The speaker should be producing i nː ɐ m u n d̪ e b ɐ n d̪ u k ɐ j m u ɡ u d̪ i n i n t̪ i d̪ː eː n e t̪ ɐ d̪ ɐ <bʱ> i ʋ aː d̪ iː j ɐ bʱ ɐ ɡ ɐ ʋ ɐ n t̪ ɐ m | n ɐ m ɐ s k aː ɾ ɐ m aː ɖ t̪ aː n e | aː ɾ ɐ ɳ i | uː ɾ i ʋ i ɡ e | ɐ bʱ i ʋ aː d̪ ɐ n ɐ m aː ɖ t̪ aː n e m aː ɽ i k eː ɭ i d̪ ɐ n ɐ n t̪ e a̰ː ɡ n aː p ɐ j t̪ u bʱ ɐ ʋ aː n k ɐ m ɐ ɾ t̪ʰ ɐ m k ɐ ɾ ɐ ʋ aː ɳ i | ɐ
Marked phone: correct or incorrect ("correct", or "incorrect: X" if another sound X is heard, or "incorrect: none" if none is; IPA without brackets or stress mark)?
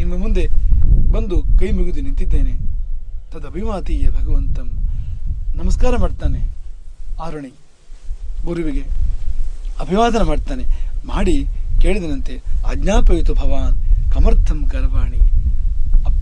correct